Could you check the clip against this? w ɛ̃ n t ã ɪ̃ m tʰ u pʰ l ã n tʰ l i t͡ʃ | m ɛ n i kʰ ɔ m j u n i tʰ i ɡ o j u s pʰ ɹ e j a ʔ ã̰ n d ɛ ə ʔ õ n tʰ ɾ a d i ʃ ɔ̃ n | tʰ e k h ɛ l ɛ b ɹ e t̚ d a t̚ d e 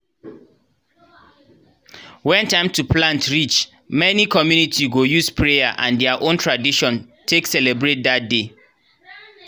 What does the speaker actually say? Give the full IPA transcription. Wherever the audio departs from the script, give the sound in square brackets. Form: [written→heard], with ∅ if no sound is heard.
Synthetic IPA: w ɛ̃ n t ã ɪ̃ m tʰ u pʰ l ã n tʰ [l→ɹ] i t͡ʃ | m ɛ n i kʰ ɔ m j u n i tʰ i ɡ o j u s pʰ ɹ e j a ʔ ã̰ n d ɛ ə ʔ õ n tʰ [ɾ→ɹ] a d i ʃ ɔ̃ n | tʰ e k [h→s] ɛ l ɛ b ɹ e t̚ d a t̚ d e